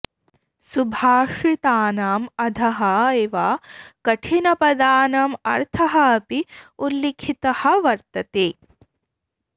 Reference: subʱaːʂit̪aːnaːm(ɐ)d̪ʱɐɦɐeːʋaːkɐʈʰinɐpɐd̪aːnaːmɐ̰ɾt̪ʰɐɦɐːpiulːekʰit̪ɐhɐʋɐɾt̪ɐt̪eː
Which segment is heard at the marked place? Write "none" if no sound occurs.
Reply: ɐ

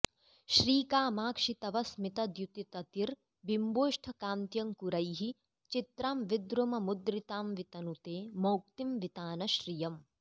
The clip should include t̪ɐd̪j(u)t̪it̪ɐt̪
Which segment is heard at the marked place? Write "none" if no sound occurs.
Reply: u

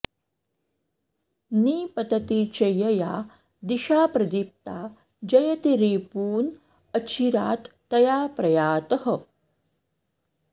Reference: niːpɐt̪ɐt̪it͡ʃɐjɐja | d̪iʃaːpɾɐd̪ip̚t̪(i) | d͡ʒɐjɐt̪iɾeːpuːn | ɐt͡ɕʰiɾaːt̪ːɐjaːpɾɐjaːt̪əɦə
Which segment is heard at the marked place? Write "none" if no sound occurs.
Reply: a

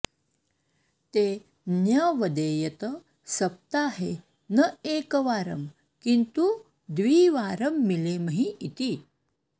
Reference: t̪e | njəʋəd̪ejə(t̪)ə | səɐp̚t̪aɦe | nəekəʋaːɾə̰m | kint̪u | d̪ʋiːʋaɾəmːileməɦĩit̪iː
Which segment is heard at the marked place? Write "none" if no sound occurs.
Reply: t̪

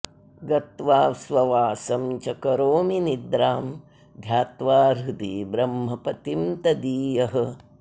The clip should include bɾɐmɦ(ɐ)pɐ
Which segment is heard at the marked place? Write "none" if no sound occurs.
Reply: ɐ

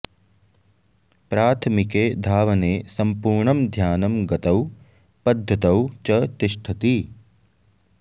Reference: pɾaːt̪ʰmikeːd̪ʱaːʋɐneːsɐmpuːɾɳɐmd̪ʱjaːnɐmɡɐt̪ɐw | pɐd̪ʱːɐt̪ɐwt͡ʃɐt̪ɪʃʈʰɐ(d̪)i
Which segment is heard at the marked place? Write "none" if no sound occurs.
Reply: t̪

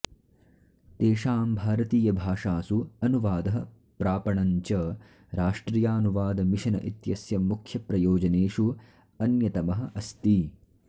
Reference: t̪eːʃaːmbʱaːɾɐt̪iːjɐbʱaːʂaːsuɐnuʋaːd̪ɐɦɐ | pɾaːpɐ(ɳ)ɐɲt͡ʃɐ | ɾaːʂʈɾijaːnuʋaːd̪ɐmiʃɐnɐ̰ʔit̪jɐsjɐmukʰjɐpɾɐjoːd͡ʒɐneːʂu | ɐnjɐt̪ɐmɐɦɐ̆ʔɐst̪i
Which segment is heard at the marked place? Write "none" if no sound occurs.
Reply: ɳ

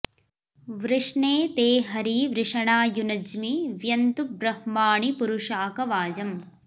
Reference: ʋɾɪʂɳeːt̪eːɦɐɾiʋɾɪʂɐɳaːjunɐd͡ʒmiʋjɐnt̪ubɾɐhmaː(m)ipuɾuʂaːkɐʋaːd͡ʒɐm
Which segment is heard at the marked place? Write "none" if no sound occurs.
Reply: ɳ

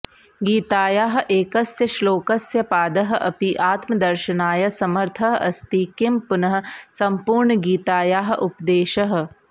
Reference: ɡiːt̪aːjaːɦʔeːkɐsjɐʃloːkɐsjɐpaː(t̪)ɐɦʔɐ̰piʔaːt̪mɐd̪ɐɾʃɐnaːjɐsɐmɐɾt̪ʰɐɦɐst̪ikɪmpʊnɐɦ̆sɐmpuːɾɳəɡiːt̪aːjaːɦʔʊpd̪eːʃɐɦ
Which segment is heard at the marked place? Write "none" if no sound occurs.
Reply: d̪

